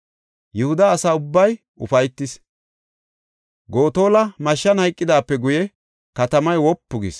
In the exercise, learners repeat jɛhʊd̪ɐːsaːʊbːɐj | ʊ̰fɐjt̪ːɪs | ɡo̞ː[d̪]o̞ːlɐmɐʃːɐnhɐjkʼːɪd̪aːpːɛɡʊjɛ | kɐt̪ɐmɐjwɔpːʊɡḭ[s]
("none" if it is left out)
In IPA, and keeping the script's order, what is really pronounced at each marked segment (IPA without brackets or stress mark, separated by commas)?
t̪, s